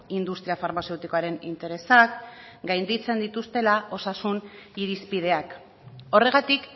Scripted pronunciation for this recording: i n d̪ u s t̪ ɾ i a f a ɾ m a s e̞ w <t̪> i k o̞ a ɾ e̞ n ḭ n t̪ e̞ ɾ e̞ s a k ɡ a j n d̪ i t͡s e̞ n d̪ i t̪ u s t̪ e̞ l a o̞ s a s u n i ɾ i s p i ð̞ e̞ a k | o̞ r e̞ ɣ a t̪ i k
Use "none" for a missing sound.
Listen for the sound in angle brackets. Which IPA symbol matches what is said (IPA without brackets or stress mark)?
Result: t̪